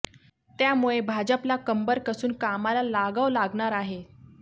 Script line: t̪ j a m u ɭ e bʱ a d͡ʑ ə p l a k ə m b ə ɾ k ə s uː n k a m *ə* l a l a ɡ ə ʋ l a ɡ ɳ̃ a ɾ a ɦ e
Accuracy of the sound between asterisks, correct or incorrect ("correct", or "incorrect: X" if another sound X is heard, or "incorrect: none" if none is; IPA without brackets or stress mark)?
incorrect: a